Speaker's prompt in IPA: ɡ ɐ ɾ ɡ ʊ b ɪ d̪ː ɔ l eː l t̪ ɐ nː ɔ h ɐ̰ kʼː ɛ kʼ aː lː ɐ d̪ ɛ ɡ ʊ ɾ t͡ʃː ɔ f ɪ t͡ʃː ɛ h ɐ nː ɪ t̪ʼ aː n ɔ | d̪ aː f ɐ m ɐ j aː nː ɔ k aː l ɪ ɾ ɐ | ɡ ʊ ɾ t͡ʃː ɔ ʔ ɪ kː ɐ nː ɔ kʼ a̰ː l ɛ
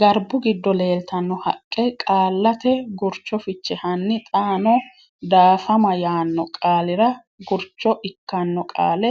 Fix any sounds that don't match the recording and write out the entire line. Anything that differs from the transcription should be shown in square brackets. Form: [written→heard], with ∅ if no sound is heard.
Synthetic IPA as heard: ɡ ɐ ɾ [ɡ→b] ʊ [b→ɡ] ɪ d̪ː ɔ l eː l t̪ ɐ nː ɔ h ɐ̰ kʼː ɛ kʼ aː lː ɐ [d̪→t̪] ɛ ɡ ʊ ɾ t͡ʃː ɔ f ɪ t͡ʃː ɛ h ɐ nː ɪ t̪ʼ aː n ɔ | d̪ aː f ɐ m ɐ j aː nː ɔ [k→kʼ] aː l ɪ ɾ ɐ | ɡ ʊ ɾ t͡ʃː ɔ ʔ ɪ kː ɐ nː ɔ kʼ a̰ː l ɛ